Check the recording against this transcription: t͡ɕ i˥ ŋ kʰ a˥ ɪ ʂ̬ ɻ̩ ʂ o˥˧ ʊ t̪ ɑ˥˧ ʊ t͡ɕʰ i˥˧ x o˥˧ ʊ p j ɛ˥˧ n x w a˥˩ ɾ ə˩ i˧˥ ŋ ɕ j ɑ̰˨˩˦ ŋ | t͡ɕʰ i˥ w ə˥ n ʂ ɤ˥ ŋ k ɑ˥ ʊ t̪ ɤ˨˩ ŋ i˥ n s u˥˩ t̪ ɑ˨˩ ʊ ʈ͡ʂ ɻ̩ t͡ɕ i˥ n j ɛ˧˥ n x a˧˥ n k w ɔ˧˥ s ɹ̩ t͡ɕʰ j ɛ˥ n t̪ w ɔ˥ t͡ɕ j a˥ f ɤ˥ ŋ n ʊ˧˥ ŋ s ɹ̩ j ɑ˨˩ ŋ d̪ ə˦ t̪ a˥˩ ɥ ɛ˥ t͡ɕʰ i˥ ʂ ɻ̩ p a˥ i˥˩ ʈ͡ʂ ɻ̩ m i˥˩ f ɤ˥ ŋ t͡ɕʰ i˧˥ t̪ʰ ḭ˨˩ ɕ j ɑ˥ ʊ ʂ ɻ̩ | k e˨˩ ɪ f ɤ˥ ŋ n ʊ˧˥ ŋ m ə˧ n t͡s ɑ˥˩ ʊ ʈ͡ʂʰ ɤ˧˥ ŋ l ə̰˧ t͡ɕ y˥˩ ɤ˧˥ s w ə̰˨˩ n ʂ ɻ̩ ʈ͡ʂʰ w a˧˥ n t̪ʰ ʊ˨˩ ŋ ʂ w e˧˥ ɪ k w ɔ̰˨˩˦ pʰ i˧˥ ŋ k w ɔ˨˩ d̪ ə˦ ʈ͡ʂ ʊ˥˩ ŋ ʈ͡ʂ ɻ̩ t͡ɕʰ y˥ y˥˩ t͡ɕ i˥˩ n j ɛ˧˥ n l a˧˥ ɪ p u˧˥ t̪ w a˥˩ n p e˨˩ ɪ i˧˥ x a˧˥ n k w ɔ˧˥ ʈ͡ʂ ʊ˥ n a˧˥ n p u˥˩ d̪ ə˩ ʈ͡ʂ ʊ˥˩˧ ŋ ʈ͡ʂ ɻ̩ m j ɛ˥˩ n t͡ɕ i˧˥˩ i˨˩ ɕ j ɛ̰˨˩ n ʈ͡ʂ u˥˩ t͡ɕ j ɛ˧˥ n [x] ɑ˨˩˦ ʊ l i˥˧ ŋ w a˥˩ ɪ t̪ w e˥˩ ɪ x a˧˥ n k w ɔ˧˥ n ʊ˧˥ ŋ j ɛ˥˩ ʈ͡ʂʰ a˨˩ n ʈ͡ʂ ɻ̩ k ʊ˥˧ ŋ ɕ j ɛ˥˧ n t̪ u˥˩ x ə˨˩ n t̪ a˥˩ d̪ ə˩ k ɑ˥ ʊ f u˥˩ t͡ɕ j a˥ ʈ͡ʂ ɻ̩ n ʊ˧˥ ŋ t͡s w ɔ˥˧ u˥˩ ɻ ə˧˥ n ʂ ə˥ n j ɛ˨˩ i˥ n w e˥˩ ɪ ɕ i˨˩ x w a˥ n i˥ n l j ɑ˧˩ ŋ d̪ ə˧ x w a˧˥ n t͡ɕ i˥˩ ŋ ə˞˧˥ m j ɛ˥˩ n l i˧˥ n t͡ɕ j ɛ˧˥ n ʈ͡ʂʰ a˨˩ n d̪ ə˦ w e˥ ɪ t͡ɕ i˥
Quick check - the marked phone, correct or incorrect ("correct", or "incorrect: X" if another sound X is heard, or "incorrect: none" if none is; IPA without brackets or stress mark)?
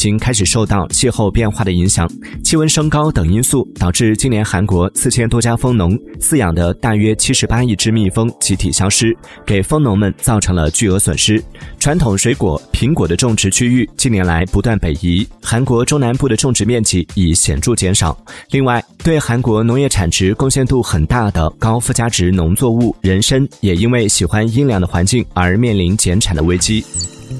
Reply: incorrect: ʂ